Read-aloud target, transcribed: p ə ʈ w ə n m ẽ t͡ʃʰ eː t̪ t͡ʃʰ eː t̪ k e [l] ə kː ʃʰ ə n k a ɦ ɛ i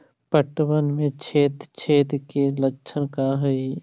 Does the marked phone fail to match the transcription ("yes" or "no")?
no